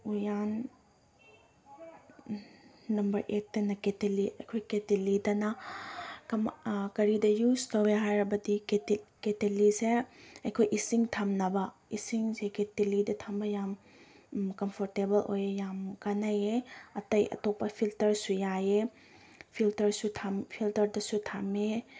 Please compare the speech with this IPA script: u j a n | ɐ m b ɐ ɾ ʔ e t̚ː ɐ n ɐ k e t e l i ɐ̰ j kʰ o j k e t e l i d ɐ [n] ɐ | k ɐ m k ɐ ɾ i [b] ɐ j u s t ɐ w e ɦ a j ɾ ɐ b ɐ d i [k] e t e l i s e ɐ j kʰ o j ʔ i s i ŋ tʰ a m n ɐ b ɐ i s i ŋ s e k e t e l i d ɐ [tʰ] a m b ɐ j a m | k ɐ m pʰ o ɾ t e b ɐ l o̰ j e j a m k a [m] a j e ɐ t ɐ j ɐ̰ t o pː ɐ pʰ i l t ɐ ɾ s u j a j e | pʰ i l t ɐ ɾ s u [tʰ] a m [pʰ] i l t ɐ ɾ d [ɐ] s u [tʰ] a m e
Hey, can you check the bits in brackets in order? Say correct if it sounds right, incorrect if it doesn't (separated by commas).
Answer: correct, incorrect, correct, correct, incorrect, correct, correct, correct, correct